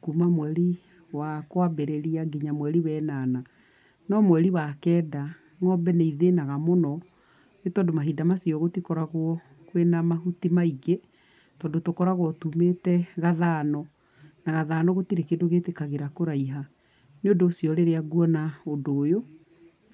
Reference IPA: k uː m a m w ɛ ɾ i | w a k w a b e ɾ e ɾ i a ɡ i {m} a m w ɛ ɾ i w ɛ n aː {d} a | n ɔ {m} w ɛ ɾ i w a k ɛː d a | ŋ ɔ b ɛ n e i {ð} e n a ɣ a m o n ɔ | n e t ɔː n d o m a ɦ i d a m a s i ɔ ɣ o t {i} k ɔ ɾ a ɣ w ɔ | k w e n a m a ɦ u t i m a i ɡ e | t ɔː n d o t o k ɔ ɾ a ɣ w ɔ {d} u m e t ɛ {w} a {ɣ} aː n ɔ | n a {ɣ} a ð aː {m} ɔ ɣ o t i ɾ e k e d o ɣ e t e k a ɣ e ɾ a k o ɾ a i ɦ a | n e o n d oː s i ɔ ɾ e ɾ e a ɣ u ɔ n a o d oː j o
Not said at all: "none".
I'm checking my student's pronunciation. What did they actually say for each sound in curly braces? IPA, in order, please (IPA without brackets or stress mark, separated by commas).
ɲ, n, m, ð, i, t, ɣ, ð, ɣ, n